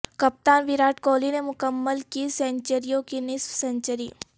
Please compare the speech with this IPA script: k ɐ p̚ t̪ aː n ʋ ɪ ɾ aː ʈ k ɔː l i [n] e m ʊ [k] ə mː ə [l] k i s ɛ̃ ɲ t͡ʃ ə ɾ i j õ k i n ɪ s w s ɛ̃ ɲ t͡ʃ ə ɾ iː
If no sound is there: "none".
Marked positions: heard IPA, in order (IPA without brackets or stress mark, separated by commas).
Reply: n, k, l